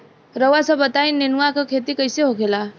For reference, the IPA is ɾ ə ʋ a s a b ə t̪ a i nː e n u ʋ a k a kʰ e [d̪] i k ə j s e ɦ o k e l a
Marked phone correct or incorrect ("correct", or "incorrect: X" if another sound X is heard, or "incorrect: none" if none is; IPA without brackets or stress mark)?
incorrect: t̪